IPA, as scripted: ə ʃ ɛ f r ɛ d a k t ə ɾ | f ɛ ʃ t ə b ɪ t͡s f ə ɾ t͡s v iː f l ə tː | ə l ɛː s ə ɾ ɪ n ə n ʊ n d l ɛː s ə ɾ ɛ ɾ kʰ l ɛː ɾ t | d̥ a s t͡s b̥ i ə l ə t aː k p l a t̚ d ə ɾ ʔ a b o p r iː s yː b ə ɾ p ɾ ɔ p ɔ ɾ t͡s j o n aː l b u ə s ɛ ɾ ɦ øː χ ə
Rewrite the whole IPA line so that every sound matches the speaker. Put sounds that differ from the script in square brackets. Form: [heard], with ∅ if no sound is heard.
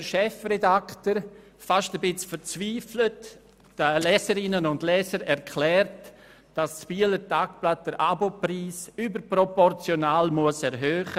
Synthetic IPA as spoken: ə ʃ ɛ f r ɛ d a k t ə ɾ | f [a] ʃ t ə b ɪ t͡s f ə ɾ t͡s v iː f l ə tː | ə l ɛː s ə ɾ ɪ n ə n ʊ n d l ɛː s ə ɾ ɛ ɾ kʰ l ɛː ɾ t | d̥ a s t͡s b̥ i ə l ə t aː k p l a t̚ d ə ɾ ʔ a b o p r iː s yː b ə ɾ p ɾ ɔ p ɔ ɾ t͡s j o n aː l [m] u ə s ɛ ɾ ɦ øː χ ə